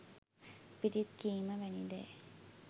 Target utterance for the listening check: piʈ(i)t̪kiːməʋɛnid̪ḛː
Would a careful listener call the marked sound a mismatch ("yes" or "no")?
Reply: no